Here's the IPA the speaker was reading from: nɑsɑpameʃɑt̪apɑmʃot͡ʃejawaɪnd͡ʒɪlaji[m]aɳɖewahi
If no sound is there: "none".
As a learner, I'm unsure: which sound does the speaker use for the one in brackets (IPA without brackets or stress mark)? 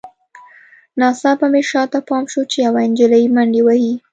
m